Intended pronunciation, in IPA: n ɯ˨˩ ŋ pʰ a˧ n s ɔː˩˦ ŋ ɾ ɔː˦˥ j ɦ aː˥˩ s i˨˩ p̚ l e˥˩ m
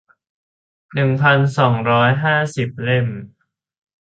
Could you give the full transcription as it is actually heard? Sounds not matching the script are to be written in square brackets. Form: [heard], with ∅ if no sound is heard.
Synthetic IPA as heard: n ɯ˨˩ ŋ pʰ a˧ n s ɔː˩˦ ŋ ɾ ɔː˦˥ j ɦ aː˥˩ s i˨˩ p̚ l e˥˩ m

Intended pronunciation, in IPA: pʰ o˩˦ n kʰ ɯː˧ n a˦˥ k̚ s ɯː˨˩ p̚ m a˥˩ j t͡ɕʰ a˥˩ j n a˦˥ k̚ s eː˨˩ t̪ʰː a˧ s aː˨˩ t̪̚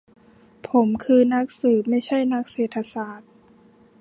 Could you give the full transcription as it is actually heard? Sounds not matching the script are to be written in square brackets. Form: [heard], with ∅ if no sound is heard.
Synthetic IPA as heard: pʰ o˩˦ [m] kʰ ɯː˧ n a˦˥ k̚ s ɯː˨˩ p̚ m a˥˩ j t͡ɕʰ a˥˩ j n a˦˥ k̚ s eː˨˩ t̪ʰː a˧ s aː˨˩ t̪̚

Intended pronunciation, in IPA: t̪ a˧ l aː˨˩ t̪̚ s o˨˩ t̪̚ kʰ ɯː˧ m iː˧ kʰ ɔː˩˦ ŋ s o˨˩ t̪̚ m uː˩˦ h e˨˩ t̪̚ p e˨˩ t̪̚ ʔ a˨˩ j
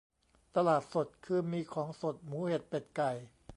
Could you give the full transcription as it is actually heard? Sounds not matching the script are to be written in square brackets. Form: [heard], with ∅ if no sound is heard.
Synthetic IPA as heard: t̪ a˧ l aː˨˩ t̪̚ s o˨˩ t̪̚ kʰ ɯː˧ m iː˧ kʰ ɔː˩˦ ŋ s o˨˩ t̪̚ m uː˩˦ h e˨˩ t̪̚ p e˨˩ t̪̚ [k] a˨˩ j

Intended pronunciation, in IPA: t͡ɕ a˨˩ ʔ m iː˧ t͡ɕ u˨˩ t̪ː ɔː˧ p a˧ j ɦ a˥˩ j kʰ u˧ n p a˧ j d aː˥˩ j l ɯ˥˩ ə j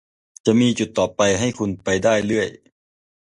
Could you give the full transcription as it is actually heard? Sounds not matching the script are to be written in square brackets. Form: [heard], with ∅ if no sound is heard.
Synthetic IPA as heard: t͡ɕ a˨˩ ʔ m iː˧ t͡ɕ u˨˩ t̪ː [ɔː˨˩] p a˧ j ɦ a˥˩ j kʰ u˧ n p a˧ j d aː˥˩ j l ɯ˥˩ ə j

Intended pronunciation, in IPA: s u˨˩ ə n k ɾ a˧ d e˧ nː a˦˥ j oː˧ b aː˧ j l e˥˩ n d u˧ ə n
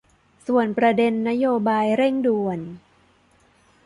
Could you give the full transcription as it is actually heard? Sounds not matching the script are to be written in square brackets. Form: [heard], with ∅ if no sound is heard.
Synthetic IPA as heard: s u˨˩ ə n [p] ɾ a˧ d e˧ nː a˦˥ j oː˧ b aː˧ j [ɾ] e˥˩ [ŋ] d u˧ ə n

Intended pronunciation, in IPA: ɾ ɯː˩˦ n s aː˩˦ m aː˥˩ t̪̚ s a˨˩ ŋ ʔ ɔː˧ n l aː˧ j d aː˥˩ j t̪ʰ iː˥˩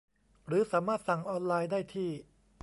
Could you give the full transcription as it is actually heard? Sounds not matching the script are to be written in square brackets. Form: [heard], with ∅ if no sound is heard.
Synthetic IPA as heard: ɾ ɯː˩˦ [∅] s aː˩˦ m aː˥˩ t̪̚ s a˨˩ ŋ ʔ ɔː˧ n l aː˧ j d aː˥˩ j t̪ʰ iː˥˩

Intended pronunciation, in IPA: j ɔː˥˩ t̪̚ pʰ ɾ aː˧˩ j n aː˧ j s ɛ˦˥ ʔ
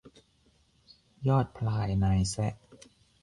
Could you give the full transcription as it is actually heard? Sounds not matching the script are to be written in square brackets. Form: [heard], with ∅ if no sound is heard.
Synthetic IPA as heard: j ɔː˥˩ t̪̚ pʰ [l] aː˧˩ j n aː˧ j s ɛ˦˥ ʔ

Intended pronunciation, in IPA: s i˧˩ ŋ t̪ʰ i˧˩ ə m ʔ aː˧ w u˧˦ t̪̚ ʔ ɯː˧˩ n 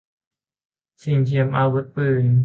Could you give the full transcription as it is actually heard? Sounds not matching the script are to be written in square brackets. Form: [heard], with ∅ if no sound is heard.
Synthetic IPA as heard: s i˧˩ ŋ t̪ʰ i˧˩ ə m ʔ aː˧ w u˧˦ t̪̚ [p] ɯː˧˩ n

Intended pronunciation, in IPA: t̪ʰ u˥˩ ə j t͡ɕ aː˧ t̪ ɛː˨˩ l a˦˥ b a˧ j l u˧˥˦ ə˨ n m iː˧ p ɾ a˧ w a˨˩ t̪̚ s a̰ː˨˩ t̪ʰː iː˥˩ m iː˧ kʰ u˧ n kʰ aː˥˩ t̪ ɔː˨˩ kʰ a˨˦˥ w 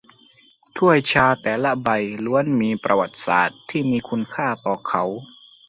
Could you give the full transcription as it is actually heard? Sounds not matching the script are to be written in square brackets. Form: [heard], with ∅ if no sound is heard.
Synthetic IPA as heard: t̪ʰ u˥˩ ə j [t͡ɕʰ] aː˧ t̪ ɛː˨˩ l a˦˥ b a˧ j l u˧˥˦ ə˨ n m iː˧ p ɾ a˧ w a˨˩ t̪̚ s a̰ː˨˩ t̪ʰː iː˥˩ m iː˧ kʰ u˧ n kʰ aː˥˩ t̪ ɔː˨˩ kʰ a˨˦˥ w

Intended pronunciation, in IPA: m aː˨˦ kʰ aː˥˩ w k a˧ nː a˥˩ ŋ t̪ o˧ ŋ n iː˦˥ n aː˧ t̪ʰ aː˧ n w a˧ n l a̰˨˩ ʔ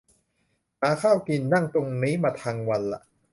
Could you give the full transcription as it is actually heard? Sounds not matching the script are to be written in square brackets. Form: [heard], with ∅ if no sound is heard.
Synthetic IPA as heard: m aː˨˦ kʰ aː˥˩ w k [i˧] nː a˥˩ ŋ t̪ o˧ ŋ n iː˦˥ [m] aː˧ t̪ʰ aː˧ [ŋ] w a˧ n l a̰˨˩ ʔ

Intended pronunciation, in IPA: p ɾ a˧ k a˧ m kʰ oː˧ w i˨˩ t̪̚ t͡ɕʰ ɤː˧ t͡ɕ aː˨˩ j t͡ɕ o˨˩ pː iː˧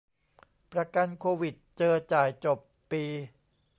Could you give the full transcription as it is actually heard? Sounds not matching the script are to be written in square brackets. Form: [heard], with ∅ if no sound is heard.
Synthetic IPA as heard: p ɾ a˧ k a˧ [n] kʰ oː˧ w i˨˩ t̪̚ [t͡ɕ] ɤː˧ t͡ɕ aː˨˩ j t͡ɕ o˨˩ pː iː˧

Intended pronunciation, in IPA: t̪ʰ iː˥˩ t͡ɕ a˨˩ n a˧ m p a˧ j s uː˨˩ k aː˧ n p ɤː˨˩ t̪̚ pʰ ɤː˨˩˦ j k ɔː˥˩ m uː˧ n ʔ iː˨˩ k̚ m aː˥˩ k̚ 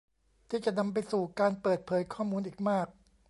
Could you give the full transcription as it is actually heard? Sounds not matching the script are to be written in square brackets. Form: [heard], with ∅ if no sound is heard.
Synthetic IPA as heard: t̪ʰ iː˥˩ t͡ɕ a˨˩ n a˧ m p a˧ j s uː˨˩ k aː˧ n p ɤː˨˩ t̪̚ pʰ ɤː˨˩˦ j [kʰ] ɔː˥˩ m uː˧ n ʔ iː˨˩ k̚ m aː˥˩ k̚

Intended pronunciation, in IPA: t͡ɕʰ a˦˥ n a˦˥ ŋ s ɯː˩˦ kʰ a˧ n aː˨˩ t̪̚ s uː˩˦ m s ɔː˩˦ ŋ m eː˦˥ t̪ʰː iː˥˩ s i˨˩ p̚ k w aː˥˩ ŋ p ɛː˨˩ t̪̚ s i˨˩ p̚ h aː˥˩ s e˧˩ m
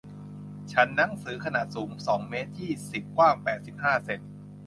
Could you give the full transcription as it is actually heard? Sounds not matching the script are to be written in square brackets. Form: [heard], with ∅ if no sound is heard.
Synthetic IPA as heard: t͡ɕʰ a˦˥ [nː] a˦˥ ŋ s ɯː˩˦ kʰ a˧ n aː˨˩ t̪̚ s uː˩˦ m s ɔː˩˦ ŋ m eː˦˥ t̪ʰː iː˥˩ s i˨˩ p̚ k w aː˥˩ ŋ p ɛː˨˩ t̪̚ s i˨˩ p̚ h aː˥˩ s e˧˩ [n]

